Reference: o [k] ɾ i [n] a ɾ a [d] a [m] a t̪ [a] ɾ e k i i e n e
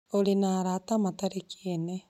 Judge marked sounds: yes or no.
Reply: no, yes, no, yes, yes

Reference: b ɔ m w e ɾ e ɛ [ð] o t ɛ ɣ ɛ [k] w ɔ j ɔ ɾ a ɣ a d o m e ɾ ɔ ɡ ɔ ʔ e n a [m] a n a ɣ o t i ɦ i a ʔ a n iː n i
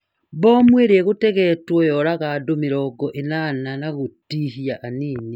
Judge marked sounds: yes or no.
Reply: no, no, no

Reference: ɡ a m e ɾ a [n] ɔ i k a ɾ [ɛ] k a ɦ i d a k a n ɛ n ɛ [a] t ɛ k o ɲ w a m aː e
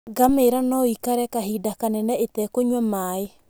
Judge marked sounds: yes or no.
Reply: yes, yes, no

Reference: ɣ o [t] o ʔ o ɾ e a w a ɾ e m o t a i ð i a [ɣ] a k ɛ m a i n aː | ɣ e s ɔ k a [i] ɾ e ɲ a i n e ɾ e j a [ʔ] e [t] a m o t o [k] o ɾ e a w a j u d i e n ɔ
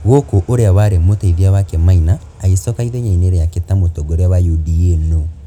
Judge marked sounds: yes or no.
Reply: no, no, yes, no, yes, no

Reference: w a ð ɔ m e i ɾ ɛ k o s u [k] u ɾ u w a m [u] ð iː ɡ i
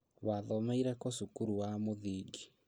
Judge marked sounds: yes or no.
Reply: yes, no

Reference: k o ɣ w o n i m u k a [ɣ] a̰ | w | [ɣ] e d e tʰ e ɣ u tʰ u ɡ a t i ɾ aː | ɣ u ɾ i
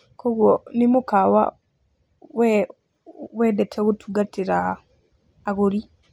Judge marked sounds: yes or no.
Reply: no, no

